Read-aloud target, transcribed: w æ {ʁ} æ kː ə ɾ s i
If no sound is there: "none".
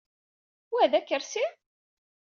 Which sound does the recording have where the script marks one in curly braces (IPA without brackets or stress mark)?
ð